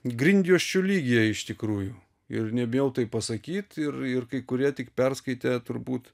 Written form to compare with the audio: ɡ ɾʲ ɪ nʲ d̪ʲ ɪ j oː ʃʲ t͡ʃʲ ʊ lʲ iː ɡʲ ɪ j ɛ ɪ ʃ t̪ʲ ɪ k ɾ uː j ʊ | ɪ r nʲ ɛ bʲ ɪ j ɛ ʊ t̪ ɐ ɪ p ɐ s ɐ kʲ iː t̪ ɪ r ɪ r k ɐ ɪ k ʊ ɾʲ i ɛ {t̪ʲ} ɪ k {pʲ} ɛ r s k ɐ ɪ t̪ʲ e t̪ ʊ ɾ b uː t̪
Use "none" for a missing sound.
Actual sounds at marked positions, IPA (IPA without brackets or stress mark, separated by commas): t̪ʲ, pʲ